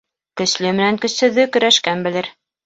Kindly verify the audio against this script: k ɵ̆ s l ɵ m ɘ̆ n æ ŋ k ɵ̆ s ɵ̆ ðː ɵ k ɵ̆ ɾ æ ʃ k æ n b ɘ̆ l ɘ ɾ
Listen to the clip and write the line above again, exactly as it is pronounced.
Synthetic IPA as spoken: k ɵ̆ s l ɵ m ɘ̆ n æ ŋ k ɵ̆ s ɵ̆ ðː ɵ k ɵ̆ ɾ æ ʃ k æ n b ɘ̆ l ɘ ɾ